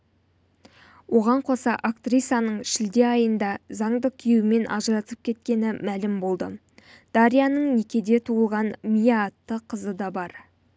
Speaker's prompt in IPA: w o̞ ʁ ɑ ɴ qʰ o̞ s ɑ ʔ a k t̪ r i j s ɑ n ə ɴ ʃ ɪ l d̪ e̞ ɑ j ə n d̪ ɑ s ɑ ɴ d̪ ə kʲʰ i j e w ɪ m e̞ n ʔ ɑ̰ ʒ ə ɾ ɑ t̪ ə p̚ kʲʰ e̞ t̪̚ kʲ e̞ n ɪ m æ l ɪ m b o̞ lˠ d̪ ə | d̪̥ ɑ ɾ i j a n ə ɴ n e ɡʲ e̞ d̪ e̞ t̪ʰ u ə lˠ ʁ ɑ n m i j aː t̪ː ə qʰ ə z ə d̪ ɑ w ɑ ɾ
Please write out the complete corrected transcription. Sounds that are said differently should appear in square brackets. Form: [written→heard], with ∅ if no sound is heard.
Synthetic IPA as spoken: w o̞ ʁ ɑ ɴ qʰ o̞ s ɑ ʔ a k t̪ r i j s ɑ n ə ɴ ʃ ɪ l d̪ e̞ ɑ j ə n d̪ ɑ [s→z] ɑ ɴ d̪ ə kʲʰ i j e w ɪ m e̞ n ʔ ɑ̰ ʒ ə ɾ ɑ t̪ ə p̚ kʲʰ e̞ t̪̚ kʲ e̞ n ɪ m æ l ɪ m b o̞ lˠ d̪ ə | d̪̥ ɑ ɾ i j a n ə ɴ n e [ɡʲ→kʲ] e̞ d̪ e̞ t̪ʰ u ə lˠ ʁ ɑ n m i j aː t̪ː ə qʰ ə z ə d̪ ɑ [w→b] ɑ ɾ